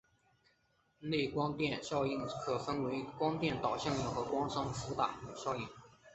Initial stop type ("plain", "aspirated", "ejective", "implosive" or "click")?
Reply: plain